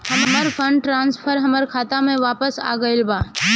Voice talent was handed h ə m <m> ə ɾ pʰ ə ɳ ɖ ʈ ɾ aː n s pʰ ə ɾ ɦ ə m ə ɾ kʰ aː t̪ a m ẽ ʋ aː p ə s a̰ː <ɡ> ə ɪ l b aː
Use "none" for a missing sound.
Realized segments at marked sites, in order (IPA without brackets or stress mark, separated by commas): m, ɡ